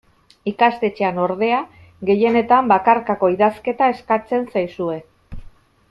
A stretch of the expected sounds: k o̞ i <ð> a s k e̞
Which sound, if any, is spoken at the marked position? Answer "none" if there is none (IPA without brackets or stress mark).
ð